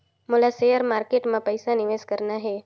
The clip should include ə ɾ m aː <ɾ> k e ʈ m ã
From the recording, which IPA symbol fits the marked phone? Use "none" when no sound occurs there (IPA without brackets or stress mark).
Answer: ɾ